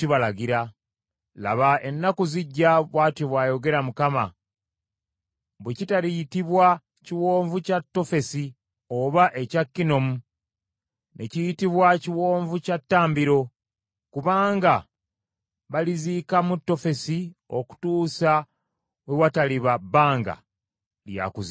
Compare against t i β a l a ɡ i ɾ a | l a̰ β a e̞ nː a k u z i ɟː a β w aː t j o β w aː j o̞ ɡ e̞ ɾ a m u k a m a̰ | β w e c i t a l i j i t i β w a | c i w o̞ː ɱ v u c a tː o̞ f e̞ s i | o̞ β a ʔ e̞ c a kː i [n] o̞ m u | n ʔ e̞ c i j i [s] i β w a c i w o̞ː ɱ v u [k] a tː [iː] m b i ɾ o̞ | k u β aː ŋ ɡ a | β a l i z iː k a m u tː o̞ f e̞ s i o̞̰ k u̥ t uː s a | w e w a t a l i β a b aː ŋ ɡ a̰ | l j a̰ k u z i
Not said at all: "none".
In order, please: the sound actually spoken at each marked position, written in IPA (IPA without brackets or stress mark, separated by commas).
n, t, c, aː